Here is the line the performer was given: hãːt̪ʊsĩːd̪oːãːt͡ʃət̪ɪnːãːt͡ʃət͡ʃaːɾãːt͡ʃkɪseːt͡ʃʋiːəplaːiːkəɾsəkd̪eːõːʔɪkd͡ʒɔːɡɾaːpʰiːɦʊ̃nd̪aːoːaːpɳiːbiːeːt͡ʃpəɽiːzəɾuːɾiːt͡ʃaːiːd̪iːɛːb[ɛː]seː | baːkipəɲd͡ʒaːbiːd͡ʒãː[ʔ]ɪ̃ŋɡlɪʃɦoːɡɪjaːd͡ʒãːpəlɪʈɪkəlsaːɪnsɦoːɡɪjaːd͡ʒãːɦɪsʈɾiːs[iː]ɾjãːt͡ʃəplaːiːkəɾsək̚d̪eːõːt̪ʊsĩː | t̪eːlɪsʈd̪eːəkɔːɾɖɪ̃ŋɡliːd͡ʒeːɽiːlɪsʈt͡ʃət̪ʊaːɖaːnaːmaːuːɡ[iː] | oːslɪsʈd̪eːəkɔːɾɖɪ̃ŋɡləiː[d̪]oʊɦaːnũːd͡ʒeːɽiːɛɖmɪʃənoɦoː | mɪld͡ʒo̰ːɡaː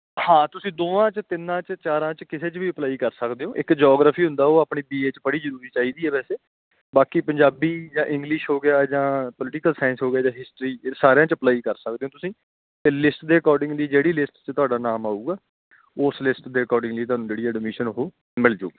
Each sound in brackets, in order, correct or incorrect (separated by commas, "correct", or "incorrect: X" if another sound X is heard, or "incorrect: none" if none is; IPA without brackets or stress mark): correct, correct, incorrect: aː, incorrect: aː, incorrect: t̪